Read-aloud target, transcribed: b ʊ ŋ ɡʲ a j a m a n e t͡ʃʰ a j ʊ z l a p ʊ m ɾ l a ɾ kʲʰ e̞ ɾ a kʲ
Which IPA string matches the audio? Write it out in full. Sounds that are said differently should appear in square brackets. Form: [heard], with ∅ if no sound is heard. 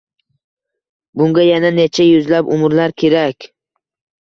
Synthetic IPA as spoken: b ʊ ŋ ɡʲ a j a [n] a n e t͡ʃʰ a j ʊ z l a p ʊ m ɾ l a ɾ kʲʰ e̞ ɾ a kʲ